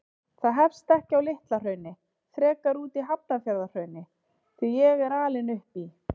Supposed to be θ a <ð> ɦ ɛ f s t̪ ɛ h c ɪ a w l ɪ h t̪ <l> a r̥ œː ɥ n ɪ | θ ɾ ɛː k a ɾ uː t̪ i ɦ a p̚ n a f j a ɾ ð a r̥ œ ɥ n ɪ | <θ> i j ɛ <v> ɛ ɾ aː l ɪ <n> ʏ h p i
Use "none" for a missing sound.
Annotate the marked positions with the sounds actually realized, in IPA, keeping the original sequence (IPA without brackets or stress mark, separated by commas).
ð, l, θ, ɣ, n